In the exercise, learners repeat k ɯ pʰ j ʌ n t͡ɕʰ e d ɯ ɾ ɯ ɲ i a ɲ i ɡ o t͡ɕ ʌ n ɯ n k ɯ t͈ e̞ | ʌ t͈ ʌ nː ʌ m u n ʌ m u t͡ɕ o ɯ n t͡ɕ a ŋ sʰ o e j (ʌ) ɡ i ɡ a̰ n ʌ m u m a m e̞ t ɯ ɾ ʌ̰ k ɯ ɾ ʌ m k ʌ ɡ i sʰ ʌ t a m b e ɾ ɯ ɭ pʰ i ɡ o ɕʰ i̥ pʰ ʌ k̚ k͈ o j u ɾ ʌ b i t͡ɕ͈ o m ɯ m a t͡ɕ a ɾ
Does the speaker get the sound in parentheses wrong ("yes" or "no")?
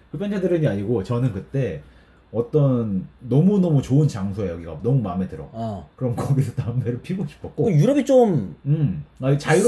no